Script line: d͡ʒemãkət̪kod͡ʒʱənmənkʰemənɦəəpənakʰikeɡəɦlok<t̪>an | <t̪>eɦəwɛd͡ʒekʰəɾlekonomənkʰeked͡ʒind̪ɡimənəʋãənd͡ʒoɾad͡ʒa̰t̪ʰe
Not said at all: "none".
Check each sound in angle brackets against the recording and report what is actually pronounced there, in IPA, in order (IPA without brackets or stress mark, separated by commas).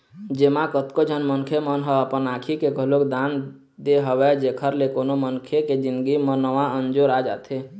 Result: d̪, d̪